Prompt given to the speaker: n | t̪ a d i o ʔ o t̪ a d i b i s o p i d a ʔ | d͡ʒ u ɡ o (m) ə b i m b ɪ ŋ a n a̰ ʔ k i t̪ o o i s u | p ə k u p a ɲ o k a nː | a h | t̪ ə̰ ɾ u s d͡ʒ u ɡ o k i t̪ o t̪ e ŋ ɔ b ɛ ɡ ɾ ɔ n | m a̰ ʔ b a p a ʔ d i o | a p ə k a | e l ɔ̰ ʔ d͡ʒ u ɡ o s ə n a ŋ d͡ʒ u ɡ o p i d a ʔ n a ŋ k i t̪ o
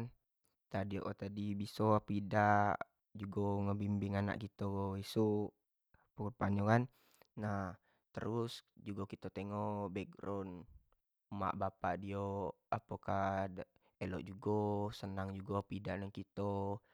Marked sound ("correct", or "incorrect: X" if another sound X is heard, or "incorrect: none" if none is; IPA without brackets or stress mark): incorrect: ŋ